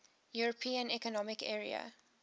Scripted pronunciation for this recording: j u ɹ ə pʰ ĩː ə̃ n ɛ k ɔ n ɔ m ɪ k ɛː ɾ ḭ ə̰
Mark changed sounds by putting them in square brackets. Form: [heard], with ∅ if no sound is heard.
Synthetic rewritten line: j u ɹ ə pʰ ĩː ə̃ n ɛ k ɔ n ɔ m ɪ k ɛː [ɹ] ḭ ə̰